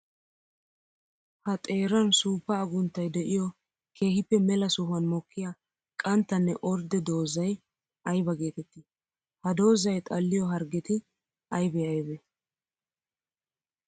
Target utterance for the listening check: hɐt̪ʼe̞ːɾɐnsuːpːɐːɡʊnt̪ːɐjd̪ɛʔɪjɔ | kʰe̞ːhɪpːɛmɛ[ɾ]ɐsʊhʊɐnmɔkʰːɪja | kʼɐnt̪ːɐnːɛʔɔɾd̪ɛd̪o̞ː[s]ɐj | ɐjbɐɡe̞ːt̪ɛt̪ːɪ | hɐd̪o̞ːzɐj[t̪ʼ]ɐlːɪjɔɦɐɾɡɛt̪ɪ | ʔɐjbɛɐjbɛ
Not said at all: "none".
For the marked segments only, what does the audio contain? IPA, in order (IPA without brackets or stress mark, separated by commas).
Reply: l, z, t̪ʼ